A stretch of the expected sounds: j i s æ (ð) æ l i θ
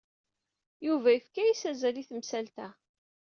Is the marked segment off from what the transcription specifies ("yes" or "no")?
yes